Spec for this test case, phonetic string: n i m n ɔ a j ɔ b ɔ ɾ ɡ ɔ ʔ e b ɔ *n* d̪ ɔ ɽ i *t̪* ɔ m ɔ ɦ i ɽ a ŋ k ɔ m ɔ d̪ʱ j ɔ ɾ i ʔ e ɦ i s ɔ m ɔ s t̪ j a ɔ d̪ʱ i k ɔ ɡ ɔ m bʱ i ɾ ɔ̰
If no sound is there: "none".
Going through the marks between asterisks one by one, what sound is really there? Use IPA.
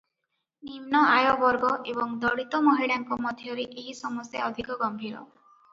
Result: ŋ, t̪

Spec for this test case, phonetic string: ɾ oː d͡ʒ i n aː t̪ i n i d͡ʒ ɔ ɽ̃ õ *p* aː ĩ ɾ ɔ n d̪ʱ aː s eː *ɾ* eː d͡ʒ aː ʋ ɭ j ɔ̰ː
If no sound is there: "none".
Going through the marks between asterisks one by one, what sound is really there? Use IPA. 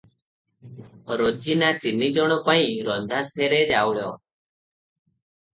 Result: p, ɾ

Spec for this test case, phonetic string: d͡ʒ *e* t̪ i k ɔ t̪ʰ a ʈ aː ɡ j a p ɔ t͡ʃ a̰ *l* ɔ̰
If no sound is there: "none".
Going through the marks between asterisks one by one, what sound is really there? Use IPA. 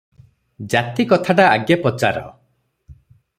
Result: a, ɾ

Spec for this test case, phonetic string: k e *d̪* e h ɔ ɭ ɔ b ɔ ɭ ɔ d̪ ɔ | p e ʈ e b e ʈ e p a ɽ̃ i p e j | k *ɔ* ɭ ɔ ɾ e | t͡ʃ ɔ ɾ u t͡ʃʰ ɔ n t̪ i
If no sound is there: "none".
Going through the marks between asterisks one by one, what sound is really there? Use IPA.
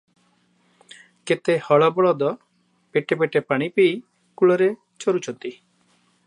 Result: t̪, u

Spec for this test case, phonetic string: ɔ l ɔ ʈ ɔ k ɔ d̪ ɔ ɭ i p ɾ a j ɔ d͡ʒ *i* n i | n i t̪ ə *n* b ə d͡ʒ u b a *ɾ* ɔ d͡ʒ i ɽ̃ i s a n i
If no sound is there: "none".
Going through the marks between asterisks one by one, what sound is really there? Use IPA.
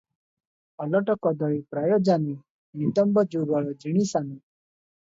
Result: a, m, ɭ

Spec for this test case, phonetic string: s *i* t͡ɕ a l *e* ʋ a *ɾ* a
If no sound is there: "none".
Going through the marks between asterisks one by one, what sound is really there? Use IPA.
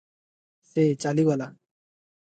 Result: e, i, l

